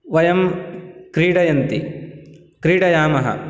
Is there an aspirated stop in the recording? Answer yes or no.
no